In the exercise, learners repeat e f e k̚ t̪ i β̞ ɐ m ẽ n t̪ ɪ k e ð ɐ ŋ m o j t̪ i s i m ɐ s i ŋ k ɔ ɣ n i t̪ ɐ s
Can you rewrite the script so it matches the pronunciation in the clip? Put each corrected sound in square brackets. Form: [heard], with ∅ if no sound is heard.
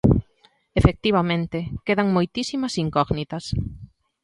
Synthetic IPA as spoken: e f e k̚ t̪ i β̞ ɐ m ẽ n t̪ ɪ k e ð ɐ ŋ m o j t̪ i s i m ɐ s i ŋ k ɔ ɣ n i t̪ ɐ s